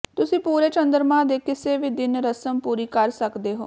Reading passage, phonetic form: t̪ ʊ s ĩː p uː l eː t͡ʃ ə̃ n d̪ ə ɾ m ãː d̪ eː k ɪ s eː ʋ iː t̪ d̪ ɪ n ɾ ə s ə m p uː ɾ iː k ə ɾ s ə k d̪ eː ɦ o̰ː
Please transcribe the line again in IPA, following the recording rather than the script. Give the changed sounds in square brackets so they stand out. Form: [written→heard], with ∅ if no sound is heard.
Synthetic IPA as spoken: t̪ ʊ s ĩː p uː [l→ɾ] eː t͡ʃ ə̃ n d̪ ə ɾ m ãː d̪ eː k ɪ s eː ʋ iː [t̪→∅] d̪ ɪ n ɾ ə s ə m p uː ɾ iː k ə ɾ s ə k d̪ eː ɦ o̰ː